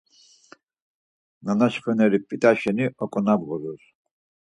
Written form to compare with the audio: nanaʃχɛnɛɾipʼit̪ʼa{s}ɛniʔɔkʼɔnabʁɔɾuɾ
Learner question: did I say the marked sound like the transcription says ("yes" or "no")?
no